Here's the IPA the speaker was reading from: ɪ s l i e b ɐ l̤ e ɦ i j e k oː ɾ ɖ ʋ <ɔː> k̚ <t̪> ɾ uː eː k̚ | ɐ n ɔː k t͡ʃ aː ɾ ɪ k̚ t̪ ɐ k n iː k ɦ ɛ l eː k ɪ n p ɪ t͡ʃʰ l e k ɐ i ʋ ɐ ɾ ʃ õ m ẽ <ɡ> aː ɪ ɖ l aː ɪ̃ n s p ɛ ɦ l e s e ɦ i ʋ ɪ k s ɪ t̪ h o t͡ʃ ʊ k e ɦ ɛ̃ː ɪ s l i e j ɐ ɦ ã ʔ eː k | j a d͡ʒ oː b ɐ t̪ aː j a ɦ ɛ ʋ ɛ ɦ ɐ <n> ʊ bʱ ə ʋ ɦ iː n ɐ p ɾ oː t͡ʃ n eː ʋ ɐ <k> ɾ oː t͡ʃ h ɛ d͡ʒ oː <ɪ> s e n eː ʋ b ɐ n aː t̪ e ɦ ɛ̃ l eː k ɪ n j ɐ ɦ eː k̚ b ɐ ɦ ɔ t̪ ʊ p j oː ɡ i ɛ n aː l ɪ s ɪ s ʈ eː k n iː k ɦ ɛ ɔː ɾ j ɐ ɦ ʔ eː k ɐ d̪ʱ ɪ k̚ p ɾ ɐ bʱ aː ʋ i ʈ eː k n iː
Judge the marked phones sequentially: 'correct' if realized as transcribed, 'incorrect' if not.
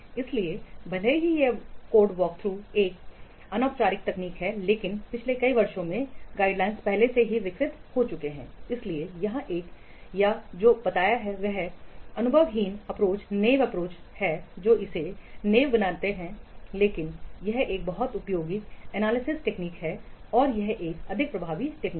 correct, incorrect, correct, correct, incorrect, correct

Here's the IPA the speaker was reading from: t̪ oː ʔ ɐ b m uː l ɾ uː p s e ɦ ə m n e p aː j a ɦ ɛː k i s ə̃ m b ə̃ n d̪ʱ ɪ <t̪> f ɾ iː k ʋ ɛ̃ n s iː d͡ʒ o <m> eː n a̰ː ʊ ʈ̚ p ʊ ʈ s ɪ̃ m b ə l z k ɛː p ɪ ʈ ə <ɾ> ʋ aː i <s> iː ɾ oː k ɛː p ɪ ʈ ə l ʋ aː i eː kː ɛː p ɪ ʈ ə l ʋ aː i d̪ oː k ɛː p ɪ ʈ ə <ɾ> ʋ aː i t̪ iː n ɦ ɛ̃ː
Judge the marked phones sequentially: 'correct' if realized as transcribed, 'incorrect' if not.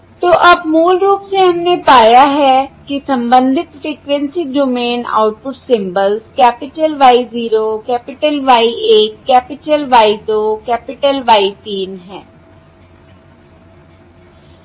correct, correct, incorrect, incorrect, incorrect

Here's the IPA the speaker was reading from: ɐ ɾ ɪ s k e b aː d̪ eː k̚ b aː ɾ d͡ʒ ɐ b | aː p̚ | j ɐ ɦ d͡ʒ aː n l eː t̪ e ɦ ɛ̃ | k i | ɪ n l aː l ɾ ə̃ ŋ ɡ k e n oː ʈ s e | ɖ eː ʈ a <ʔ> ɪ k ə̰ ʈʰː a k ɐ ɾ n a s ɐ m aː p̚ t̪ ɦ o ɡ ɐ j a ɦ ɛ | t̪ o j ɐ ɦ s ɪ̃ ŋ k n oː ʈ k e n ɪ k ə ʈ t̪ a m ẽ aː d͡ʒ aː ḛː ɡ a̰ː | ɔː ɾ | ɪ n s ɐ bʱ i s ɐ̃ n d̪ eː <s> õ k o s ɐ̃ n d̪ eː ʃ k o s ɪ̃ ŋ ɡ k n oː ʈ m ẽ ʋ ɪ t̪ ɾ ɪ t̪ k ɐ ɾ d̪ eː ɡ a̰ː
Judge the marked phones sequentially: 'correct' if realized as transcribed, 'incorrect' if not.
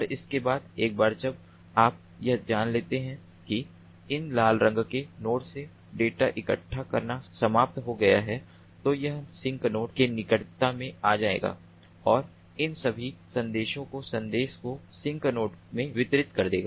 correct, incorrect

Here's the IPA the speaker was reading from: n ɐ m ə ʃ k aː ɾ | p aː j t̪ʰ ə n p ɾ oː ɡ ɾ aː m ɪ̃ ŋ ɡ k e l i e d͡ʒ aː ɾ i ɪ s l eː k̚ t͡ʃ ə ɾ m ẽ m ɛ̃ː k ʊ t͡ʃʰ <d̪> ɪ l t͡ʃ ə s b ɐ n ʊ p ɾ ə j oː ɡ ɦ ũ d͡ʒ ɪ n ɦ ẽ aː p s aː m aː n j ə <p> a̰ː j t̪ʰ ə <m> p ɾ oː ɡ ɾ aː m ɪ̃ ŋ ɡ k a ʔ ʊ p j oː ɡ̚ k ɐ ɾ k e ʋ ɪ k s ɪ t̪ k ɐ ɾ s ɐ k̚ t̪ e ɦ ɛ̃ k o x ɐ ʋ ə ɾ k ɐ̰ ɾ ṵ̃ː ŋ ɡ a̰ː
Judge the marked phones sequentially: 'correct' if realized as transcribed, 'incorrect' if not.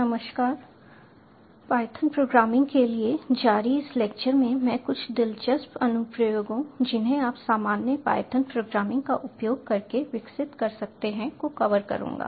correct, correct, incorrect

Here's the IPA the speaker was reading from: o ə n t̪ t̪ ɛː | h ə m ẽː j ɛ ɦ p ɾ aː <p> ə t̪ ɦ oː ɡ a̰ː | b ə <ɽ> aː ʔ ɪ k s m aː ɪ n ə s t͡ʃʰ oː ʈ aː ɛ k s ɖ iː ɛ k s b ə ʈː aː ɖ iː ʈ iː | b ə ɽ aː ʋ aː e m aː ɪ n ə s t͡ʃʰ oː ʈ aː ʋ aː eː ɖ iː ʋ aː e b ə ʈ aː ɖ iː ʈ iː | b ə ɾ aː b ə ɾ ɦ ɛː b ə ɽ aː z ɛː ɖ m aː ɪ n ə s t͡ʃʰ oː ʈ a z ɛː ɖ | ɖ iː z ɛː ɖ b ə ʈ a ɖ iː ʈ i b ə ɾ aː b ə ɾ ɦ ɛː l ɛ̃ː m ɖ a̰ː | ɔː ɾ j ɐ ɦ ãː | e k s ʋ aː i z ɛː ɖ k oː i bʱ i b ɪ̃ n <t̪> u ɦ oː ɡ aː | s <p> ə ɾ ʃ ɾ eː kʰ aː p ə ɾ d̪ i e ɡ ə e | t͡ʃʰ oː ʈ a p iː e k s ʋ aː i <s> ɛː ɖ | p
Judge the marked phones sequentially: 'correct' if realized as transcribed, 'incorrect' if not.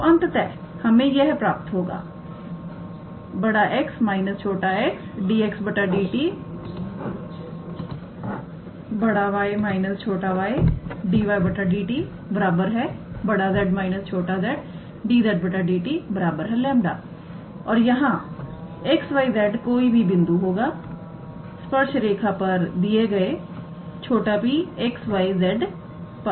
correct, correct, incorrect, correct, incorrect

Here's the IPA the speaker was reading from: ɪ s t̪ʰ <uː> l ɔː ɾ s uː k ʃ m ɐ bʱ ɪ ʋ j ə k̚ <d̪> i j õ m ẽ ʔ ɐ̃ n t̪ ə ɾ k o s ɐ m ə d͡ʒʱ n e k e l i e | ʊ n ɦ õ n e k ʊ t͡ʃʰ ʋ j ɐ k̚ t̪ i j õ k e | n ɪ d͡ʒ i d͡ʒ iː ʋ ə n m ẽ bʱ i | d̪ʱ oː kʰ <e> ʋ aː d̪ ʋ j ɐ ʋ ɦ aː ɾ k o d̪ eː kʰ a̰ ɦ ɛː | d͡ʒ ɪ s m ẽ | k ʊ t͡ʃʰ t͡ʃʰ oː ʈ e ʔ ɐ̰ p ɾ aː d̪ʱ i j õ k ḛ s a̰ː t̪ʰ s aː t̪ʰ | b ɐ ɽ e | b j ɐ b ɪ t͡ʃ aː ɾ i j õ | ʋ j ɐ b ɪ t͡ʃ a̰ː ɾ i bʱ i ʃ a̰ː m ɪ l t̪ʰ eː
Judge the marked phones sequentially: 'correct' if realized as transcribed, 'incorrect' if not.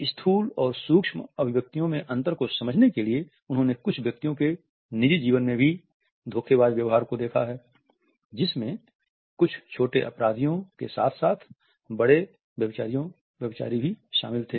correct, incorrect, correct

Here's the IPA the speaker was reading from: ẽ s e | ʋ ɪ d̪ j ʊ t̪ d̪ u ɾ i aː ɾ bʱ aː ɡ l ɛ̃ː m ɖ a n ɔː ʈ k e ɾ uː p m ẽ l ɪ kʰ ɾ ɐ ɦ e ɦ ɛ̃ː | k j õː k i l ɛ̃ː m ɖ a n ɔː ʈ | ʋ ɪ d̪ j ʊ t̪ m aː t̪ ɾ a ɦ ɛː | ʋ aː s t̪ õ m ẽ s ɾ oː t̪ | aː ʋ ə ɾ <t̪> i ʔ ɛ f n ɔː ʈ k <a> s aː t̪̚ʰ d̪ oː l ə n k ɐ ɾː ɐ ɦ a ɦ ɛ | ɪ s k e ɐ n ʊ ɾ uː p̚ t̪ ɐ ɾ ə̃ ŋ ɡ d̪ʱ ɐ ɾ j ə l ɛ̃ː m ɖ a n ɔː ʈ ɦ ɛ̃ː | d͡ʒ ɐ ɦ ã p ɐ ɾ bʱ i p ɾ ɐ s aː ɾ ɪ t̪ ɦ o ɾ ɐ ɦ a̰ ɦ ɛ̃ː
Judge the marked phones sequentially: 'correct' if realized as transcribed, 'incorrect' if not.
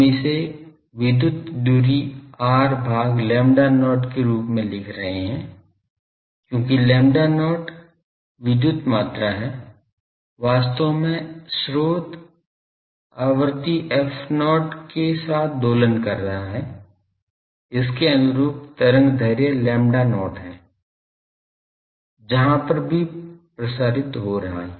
correct, incorrect

